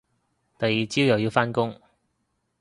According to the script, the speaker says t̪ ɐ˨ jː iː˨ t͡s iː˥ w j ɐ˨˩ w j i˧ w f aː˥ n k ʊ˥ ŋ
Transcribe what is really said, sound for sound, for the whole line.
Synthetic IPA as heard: t̪ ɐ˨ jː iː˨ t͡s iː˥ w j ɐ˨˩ w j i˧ w f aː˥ n k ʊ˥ ŋ